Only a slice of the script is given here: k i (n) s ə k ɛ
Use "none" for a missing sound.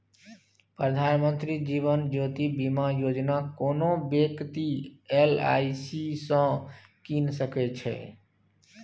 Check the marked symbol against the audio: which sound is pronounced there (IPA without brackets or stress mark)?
n